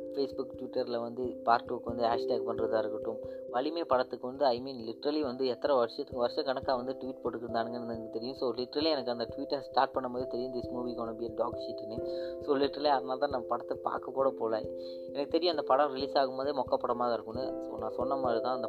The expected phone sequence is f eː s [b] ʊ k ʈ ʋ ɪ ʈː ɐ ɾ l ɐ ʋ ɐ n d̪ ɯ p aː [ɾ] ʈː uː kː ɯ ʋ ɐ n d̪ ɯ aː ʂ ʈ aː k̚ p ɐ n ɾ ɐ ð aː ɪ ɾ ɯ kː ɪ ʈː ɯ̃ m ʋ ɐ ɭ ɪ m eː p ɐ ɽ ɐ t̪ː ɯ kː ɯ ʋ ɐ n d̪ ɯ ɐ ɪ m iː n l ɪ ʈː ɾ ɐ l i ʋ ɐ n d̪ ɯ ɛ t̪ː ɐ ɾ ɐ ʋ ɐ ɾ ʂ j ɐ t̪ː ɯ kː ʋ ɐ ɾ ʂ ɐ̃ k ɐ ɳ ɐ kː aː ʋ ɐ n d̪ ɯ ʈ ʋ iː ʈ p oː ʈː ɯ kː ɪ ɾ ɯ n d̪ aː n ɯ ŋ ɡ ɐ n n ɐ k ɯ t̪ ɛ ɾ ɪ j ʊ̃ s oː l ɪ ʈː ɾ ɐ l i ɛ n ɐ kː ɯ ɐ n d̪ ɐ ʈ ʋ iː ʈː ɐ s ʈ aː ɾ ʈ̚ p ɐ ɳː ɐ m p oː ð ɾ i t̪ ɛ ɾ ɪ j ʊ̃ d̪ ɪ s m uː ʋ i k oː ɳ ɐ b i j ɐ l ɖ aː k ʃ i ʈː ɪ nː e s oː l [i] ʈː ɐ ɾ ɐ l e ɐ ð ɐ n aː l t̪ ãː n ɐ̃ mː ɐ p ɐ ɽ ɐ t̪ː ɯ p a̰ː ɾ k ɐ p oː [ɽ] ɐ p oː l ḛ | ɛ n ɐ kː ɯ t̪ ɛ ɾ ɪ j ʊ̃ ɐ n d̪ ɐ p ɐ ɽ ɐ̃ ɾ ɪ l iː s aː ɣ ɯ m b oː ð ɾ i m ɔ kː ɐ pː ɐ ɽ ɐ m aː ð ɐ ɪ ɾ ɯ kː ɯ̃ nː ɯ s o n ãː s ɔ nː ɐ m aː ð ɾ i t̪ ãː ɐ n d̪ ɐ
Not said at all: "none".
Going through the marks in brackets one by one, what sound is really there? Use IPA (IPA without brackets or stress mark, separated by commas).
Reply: b, ɾ, ɪ, ɽ